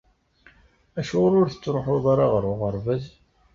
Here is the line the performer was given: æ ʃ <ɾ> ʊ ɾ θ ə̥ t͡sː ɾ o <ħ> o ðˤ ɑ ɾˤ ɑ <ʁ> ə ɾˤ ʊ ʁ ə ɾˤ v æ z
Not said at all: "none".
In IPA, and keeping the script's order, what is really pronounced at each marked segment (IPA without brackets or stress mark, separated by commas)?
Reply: ɾ, ħ, ʁ